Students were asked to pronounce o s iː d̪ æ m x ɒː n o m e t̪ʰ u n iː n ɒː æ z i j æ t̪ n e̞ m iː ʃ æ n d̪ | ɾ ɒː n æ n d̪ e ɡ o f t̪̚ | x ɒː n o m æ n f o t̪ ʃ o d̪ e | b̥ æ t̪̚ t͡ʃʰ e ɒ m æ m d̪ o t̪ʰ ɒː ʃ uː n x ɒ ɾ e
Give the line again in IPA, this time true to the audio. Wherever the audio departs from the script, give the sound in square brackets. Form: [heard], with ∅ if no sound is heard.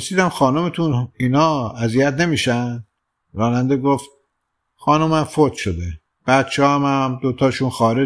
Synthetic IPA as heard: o s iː d̪ æ m x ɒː n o m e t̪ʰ u n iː n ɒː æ z i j æ t̪ n e̞ m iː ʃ æ n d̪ | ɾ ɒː n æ n d̪ e ɡ o f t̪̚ | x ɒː n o m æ [m] f o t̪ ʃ o d̪ e | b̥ æ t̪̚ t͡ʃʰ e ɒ m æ m d̪ o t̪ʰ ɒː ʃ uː n x [ɒː] ɾ e